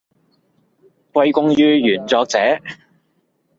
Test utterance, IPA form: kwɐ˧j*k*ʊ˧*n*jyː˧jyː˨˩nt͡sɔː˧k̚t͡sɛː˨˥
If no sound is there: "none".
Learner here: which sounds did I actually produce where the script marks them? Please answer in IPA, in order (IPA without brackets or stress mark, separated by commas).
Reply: k, ŋ